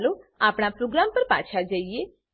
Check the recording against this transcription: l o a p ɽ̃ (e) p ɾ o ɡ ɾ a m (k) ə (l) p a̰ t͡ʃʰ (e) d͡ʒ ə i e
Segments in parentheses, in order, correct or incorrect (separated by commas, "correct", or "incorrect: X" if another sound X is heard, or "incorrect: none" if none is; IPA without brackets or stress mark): incorrect: a, incorrect: p, incorrect: ɾ, incorrect: a